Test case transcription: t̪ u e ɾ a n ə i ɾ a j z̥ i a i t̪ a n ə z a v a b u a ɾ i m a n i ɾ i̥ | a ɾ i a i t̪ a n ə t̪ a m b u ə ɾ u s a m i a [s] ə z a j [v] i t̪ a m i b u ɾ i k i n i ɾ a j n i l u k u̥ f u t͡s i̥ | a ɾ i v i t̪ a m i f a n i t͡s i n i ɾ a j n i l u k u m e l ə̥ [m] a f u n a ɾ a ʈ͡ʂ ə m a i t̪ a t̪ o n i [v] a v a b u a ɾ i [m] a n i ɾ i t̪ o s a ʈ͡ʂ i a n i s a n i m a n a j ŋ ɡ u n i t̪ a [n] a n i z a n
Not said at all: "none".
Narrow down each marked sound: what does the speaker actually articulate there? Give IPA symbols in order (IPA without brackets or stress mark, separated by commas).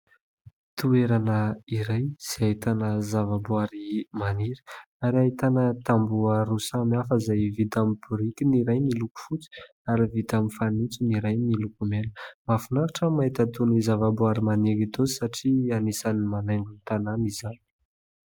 f, v, m, z, m, n